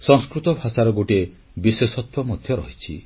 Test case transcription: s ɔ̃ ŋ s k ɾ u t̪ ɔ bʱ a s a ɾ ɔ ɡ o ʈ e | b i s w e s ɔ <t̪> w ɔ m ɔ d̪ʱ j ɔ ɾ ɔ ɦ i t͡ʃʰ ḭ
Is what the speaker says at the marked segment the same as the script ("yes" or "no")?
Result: yes